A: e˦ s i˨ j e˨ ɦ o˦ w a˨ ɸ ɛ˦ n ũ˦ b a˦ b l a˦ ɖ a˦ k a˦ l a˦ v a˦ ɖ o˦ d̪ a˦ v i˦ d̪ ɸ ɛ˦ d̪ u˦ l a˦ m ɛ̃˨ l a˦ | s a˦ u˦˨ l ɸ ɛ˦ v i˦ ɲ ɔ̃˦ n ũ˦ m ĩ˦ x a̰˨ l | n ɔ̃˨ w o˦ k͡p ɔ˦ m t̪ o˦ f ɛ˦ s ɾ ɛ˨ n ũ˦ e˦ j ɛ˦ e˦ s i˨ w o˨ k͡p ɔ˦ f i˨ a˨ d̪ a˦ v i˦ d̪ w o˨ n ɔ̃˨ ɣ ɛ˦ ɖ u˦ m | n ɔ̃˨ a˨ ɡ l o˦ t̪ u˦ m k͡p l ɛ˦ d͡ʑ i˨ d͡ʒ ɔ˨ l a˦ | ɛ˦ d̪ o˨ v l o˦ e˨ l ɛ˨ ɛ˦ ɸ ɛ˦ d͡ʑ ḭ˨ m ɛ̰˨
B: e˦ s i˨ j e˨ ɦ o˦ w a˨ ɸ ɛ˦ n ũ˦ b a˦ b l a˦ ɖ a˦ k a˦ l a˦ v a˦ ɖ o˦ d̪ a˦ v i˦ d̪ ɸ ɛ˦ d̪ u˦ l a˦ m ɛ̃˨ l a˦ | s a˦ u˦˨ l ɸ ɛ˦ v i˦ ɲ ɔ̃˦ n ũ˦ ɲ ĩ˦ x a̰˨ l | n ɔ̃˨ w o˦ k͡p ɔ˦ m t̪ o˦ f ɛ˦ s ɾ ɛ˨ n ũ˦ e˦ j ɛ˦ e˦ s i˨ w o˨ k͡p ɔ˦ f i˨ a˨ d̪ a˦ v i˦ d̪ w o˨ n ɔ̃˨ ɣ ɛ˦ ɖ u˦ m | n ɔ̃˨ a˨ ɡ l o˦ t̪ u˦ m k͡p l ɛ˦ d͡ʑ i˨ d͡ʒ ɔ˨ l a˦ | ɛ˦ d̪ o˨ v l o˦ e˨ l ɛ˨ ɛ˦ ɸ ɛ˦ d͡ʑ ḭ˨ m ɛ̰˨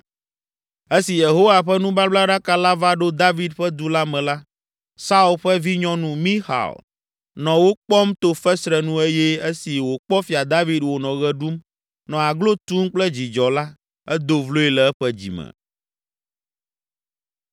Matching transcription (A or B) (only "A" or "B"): A